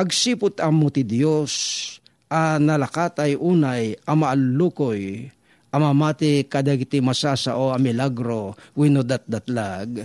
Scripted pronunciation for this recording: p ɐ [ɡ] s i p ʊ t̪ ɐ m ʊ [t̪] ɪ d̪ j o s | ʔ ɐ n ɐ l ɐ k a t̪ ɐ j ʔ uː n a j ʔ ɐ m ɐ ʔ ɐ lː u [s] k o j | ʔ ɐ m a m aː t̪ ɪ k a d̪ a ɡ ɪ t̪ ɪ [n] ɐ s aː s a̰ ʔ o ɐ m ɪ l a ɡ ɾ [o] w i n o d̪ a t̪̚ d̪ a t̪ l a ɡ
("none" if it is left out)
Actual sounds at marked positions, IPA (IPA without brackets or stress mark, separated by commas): ɡ, t̪, none, m, o